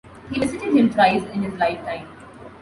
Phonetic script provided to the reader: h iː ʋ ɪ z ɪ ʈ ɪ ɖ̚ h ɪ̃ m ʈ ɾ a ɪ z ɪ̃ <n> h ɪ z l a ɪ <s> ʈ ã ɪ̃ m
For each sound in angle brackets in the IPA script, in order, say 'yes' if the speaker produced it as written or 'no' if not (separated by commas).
yes, no